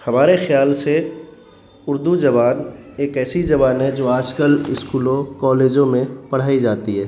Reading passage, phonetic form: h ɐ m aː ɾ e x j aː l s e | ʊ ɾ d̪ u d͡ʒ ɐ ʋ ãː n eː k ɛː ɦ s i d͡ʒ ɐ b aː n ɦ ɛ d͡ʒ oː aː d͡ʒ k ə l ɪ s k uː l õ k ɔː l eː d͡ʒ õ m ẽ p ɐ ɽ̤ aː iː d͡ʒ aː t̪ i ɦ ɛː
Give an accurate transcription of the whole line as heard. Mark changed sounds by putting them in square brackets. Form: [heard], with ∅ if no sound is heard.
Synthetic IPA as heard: h ɐ m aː ɾ e x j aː l s e | ʊ ɾ d̪ u d͡ʒ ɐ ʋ [aː] n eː k ɛː [∅] s i d͡ʒ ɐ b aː n ɦ ɛ d͡ʒ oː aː d͡ʒ k ə l ɪ s k uː l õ k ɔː l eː d͡ʒ õ m ẽ p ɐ ɽ̤ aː [i] d͡ʒ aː t̪ i ɦ ɛː